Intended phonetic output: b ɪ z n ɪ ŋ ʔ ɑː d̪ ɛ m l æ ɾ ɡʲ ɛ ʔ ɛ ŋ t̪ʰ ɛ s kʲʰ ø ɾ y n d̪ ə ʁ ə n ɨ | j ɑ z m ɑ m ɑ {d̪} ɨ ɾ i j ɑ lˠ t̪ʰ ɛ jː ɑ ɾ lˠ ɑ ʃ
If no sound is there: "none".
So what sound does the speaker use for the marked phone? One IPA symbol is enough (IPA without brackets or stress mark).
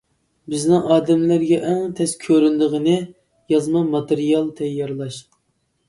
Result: t̪